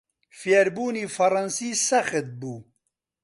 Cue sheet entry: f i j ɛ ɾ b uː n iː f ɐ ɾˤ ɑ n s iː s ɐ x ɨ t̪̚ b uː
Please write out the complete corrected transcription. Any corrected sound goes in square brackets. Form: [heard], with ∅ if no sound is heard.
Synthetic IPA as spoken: f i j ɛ ɾ b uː n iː f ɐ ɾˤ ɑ n s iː s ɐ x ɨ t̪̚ b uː